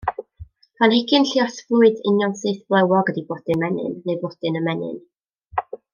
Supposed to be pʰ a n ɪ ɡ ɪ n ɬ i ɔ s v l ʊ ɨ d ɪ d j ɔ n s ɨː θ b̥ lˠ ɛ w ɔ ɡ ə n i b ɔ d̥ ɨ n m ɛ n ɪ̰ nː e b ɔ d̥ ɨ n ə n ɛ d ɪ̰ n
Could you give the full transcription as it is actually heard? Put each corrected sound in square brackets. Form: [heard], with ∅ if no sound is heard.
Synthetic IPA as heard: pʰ a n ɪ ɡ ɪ n ɬ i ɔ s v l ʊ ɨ d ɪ [n] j ɔ n s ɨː θ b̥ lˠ ɛ w ɔ ɡ ə [d] i b ɔ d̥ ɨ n m ɛ n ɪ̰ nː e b ɔ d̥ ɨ n ə [m] ɛ [n] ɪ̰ n